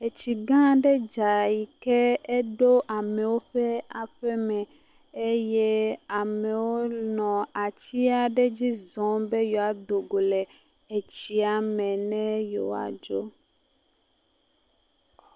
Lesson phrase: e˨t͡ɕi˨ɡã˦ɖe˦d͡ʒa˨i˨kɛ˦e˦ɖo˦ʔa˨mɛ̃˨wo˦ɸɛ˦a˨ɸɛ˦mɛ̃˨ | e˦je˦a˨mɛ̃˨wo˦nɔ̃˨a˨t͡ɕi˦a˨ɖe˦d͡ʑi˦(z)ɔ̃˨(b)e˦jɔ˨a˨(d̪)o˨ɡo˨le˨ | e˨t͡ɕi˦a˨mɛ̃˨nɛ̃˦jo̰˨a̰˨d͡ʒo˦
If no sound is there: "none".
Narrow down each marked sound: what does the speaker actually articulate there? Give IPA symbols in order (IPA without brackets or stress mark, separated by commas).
z, b, d̪